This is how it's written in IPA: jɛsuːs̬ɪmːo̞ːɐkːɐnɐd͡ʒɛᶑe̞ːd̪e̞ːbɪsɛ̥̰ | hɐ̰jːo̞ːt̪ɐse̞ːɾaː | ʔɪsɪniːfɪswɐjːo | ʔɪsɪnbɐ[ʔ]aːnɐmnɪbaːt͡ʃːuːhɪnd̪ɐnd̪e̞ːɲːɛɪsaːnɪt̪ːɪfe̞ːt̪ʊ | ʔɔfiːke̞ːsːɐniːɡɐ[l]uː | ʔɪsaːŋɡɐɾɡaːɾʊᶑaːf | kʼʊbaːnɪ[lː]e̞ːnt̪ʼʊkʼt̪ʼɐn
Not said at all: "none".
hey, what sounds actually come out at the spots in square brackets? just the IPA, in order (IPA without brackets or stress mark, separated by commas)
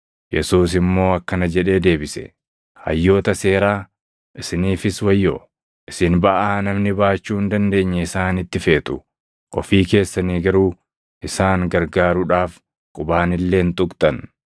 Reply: ʔ, ɾ, lː